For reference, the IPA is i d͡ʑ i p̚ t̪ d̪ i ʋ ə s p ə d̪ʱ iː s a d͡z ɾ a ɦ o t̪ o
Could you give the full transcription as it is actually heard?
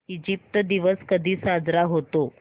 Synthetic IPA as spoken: i d͡ʑ i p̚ t̪ d̪ i ʋ ə s k ə d̪ʱ iː s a d͡z ɾ a ɦ o t̪ o